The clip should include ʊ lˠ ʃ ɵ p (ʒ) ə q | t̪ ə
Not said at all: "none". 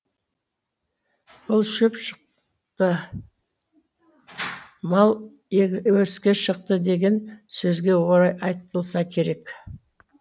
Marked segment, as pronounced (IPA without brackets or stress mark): ʃ